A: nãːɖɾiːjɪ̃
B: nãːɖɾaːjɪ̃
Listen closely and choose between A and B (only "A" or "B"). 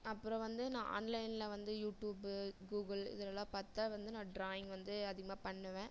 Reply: B